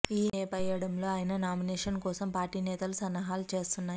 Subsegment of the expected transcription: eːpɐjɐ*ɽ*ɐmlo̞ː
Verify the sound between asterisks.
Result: correct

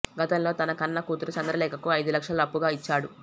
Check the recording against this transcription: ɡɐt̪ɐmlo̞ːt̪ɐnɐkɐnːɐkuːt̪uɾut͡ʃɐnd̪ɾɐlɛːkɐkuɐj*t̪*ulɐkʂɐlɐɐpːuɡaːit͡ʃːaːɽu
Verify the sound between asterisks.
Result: incorrect: d̪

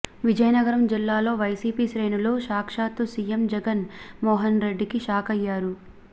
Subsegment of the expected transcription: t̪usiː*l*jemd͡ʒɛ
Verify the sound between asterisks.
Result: incorrect: none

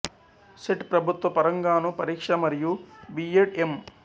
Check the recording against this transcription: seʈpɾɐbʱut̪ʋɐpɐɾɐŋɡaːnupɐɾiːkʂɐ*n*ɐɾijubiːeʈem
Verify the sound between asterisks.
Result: incorrect: m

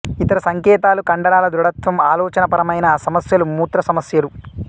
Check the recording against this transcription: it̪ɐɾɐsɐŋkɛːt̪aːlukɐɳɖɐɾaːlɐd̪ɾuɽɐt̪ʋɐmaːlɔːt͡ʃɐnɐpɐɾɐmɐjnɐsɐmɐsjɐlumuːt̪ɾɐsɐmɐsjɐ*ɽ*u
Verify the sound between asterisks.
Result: incorrect: l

